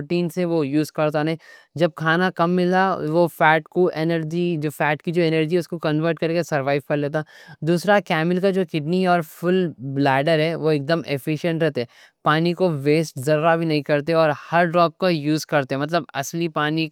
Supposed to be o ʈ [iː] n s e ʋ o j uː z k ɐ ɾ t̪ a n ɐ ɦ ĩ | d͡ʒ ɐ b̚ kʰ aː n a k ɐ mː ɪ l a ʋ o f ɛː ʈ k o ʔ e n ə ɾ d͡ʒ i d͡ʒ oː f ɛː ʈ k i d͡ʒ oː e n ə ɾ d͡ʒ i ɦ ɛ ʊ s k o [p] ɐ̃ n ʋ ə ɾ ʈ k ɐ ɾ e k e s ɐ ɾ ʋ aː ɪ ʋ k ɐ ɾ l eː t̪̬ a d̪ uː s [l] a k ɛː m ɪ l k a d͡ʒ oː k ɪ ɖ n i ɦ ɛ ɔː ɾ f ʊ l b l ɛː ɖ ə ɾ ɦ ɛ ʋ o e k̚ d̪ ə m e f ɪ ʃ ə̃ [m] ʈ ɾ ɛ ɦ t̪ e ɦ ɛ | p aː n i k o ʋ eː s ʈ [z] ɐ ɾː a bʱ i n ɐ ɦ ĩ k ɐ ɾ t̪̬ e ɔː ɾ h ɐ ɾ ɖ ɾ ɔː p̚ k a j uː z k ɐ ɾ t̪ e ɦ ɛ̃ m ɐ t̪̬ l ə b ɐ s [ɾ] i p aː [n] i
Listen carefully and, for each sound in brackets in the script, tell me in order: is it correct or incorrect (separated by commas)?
correct, incorrect, incorrect, incorrect, correct, incorrect, correct